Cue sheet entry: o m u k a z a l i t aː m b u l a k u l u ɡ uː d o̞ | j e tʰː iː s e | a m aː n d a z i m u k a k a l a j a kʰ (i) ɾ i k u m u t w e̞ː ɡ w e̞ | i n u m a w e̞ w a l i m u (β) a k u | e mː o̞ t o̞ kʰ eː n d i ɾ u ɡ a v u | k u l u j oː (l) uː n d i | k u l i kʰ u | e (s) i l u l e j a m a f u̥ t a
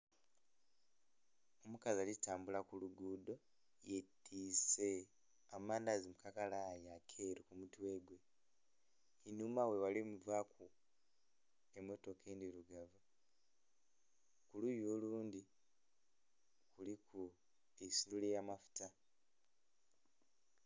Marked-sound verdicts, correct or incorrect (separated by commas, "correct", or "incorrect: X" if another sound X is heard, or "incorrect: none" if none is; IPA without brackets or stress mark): incorrect: e, incorrect: v, correct, correct